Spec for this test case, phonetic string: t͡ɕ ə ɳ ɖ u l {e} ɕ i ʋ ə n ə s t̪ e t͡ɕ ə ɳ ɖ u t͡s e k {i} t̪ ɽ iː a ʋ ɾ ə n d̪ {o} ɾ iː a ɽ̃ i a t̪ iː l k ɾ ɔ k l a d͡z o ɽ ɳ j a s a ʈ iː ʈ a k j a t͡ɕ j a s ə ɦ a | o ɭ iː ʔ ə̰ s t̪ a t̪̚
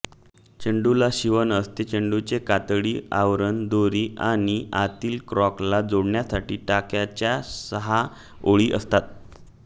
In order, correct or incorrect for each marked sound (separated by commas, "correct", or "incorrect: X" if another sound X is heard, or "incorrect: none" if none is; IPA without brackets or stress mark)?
incorrect: a, incorrect: a, correct